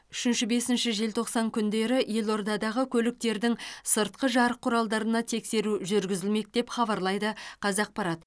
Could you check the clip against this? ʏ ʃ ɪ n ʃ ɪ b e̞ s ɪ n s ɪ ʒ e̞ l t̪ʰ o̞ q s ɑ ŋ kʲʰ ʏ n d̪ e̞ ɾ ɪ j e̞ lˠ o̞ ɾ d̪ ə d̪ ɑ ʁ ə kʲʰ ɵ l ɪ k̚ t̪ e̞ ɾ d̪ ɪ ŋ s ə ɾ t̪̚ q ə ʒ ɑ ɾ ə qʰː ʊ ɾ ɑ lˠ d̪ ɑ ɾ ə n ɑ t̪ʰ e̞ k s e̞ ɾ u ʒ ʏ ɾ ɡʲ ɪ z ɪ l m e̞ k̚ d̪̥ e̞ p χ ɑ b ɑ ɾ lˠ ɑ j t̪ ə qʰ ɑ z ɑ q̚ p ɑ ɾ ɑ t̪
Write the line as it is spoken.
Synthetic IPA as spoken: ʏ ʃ ɪ n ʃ ɪ b e̞ s ɪ n ʃ ɪ ʒ e̞ l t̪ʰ o̞ q s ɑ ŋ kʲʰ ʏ n d̪ e̞ ɾ ɪ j e̞ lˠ o̞ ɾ d̪ ɑ d̪ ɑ ʁ ə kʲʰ ɵ l ɪ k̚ t̪ e̞ ɾ d̪ ɪ ŋ s ə ɾ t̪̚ q ə ʒ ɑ ɾ ə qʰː ʊ ɾ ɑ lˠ d̪ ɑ ɾ ə n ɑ t̪ʰ e̞ k s e̞ ɾ u ʒ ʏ ɾ ɡʲ ɪ z ɪ l m e̞ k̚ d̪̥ e̞ p χ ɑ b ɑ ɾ lˠ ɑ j d̪ ə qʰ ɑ z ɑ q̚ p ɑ ɾ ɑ t̪